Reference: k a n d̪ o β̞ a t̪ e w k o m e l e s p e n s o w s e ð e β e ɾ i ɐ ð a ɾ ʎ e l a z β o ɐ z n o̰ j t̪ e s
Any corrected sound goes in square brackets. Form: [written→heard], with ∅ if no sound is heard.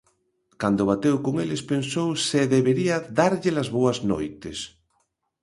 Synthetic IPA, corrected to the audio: k a n d̪ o β̞ a t̪ e w k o [m→ŋ] e l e s p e n s o w s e ð e β e ɾ i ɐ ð a ɾ ʎ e l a z β o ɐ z n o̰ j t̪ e s